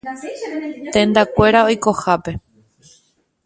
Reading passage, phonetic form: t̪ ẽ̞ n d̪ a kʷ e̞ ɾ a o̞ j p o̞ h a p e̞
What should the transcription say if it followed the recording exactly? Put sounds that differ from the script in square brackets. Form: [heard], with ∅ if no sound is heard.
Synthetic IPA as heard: t̪ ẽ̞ n d̪ a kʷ e̞ ɾ a o̞ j [k] o̞ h a p e̞